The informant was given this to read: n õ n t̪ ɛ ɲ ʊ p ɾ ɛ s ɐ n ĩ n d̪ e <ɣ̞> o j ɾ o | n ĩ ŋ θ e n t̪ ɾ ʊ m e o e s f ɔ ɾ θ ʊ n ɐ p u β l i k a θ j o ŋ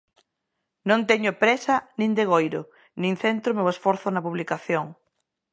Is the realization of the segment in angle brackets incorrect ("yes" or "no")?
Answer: no